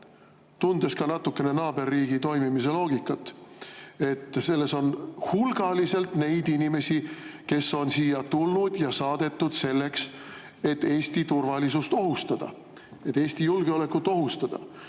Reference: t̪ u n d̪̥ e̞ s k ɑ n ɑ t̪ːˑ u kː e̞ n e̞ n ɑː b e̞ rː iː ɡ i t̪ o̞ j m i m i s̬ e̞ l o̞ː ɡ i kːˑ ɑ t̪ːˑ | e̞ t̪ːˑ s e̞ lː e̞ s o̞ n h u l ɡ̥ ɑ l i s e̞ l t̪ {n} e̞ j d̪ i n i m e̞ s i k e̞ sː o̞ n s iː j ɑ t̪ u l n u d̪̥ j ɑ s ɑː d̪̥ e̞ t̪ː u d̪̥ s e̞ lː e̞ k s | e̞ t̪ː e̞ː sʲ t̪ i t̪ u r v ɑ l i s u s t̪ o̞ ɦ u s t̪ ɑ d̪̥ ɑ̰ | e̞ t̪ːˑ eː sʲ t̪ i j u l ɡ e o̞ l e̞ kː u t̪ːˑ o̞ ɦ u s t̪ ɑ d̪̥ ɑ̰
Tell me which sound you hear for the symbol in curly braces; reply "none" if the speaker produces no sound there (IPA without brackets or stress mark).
n